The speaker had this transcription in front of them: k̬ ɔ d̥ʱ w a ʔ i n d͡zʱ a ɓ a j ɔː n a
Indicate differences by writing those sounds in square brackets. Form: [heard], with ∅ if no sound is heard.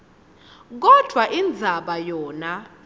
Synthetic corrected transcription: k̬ ɔ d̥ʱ w a ʔ i n d͡zʱ a ɓ a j ɔː n a